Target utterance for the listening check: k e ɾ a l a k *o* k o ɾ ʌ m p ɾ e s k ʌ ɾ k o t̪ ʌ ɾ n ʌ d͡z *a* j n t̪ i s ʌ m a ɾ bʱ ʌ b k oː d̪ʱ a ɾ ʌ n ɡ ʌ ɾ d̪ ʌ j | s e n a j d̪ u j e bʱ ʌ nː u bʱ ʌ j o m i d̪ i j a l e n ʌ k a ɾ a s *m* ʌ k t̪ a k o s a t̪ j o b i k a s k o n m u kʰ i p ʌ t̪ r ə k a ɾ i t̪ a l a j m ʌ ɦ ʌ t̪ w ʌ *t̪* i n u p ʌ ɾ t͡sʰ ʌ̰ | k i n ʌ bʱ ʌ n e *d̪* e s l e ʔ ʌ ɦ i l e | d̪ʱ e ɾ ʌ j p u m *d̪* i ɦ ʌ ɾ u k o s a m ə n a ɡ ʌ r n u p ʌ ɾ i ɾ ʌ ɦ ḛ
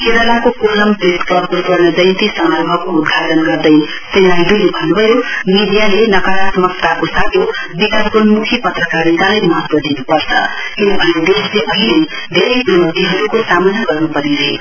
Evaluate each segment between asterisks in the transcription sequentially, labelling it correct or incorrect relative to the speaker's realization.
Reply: correct, incorrect: ʌ, correct, incorrect: d̪, correct, incorrect: t̪

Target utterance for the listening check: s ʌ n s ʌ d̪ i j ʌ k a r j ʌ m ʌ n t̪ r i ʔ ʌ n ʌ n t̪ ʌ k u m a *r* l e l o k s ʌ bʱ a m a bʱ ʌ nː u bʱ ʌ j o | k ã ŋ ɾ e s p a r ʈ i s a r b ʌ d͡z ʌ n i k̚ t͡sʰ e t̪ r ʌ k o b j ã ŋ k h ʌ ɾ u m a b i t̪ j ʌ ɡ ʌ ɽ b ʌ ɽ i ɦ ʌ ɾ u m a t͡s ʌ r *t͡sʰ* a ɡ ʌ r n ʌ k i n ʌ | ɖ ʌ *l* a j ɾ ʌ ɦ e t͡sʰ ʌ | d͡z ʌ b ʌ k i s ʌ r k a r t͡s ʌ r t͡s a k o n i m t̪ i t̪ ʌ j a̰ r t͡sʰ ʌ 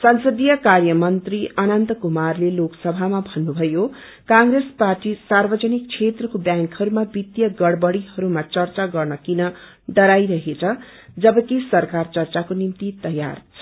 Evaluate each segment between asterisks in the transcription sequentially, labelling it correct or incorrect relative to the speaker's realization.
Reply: correct, incorrect: t͡s, incorrect: ɾ

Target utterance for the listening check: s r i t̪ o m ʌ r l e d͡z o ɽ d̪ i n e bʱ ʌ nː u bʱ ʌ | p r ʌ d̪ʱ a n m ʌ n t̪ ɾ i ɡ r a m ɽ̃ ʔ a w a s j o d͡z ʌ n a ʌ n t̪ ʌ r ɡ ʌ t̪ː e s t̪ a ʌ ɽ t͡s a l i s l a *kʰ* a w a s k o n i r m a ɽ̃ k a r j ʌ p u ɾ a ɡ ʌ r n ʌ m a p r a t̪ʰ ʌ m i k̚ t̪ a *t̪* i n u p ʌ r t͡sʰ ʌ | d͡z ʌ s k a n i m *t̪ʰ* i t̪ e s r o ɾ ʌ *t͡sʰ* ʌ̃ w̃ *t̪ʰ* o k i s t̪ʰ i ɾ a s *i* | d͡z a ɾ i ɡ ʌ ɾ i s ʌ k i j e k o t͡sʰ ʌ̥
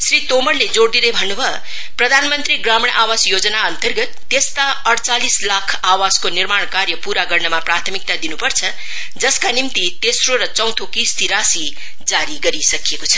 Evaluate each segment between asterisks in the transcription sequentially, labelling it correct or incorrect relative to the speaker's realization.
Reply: correct, incorrect: d̪, incorrect: t̪, incorrect: t͡s, correct, correct

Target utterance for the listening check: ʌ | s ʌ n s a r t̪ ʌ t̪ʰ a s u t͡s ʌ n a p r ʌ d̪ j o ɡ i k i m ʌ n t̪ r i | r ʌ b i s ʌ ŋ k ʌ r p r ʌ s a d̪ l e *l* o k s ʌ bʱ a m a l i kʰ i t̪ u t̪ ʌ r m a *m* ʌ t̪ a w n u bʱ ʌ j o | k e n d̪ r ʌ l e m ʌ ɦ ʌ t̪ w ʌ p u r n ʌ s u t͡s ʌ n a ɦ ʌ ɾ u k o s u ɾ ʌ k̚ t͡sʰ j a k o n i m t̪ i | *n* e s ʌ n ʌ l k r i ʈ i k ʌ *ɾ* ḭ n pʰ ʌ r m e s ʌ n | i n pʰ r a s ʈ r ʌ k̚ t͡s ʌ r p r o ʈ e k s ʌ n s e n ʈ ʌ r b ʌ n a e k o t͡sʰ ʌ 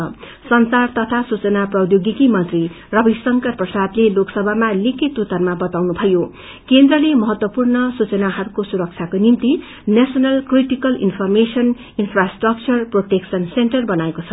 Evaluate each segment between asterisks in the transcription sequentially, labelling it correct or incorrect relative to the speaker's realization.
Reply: correct, incorrect: b, correct, incorrect: l

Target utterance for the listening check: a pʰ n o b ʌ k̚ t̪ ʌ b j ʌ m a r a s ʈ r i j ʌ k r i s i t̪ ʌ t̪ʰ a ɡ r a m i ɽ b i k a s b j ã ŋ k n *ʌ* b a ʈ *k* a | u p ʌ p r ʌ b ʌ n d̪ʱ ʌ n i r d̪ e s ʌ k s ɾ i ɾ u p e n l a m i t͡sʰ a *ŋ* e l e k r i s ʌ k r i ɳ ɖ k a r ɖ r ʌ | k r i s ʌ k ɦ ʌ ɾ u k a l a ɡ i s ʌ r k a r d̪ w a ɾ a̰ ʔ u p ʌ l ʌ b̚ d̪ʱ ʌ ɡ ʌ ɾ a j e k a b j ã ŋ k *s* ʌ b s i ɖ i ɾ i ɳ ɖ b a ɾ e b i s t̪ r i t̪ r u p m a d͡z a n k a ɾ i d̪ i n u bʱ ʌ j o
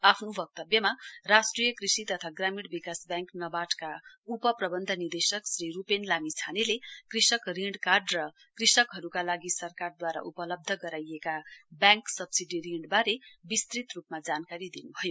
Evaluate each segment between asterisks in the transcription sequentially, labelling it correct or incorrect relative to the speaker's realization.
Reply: correct, correct, incorrect: n, correct

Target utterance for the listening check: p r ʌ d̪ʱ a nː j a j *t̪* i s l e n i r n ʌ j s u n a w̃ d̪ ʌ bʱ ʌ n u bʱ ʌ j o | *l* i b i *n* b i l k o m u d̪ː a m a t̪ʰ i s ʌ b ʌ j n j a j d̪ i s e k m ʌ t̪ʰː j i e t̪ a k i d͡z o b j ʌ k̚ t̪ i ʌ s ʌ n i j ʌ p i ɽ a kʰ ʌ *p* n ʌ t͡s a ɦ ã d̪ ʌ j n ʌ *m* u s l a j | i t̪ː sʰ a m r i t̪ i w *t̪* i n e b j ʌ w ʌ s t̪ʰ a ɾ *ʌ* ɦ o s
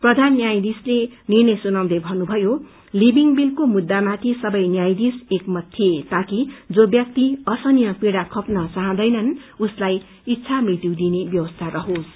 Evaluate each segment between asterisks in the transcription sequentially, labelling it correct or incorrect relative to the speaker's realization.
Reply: incorrect: d̪, correct, incorrect: ŋ, correct, incorrect: n, incorrect: d̪, correct

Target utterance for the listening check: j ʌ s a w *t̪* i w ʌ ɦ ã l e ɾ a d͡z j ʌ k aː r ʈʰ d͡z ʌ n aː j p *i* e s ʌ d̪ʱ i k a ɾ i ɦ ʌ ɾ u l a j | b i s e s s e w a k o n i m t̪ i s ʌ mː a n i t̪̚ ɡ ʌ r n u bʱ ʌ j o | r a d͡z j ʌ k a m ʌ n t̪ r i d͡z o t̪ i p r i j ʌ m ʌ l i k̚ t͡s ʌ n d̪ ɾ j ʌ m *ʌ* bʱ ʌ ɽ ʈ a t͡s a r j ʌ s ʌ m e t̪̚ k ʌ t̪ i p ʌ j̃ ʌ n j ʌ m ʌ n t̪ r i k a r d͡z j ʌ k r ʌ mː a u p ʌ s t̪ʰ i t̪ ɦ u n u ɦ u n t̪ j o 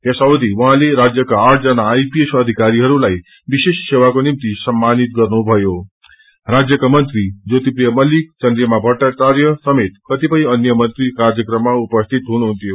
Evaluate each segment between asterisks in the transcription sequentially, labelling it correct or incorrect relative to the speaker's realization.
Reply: incorrect: d̪, correct, incorrect: a

